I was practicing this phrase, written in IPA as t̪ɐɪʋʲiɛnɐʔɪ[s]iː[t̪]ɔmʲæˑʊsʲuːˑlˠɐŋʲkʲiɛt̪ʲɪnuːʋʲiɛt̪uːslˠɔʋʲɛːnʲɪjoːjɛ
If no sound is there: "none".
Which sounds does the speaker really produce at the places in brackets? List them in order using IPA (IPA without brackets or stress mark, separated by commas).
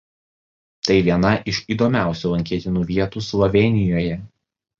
ʃ, d̪